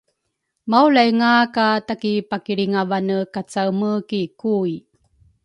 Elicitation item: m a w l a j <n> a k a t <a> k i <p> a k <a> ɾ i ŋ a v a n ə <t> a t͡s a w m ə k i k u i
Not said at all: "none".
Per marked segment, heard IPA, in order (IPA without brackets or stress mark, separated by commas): ŋ, a, p, i, k